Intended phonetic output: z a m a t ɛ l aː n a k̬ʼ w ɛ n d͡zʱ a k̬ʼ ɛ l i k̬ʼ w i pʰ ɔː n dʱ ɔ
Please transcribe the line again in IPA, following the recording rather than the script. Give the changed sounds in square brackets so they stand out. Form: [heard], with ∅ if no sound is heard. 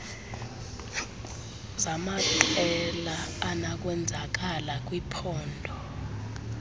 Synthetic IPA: z a m a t ɛ l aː n a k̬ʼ w ɛ n d͡zʱ a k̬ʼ [a] l [a] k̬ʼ w i pʰ ɔː n dʱ ɔ